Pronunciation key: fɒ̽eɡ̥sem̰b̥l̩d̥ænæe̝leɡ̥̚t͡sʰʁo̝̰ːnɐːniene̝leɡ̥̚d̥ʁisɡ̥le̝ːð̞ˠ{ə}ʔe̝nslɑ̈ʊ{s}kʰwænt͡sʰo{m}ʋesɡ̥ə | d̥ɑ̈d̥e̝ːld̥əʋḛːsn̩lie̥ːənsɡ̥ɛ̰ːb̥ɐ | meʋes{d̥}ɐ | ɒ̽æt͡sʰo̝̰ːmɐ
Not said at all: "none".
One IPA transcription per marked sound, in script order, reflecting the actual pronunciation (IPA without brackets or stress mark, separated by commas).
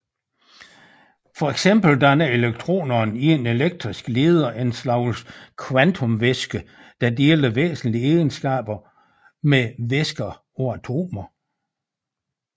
ɐ, s, m, ɡ̥